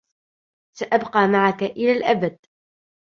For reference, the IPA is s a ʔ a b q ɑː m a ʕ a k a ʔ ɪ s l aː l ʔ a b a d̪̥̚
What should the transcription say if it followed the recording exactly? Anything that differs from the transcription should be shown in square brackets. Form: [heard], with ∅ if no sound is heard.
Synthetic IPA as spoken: s a ʔ a b q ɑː m a ʕ a k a ʔ ɪ [∅] l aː l ʔ a b a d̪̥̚